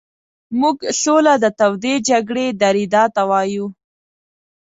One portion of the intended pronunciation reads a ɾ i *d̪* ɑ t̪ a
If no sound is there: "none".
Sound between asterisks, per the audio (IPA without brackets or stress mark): d̪